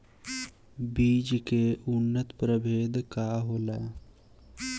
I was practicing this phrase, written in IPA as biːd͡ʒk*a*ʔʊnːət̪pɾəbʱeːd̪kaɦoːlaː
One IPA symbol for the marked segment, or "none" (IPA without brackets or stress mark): e